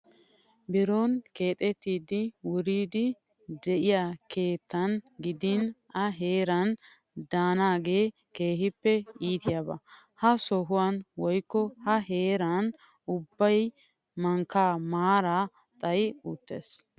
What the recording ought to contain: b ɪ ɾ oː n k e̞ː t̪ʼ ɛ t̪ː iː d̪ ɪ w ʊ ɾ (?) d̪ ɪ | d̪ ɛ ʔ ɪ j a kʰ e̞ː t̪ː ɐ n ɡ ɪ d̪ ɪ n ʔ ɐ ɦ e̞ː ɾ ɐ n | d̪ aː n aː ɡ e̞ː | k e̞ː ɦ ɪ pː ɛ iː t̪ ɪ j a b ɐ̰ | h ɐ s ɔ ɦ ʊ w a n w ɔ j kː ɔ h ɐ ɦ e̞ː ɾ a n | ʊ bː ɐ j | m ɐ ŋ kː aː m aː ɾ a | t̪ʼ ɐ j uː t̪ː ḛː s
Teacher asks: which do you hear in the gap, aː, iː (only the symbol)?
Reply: iː